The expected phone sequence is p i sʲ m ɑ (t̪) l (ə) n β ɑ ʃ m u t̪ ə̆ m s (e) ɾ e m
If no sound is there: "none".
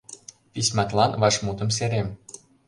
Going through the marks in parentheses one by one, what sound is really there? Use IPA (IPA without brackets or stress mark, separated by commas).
t̪, ɑ, e